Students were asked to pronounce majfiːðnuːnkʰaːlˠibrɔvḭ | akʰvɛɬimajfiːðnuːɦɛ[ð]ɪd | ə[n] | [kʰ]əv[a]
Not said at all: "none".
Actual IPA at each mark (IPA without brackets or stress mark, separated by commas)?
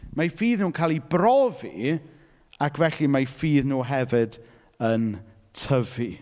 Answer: v, n, tʰ, i